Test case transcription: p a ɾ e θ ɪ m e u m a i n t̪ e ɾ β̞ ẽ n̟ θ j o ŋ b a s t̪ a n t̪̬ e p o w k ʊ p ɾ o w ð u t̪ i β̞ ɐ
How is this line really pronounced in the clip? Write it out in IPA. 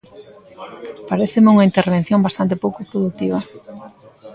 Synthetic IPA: p a ɾ e θ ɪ m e u ŋ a i n t̪ e ɾ β̞ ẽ n̟ θ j o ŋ b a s t̪ a n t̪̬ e p o w k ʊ p ɾ o ð u t̪ i β̞ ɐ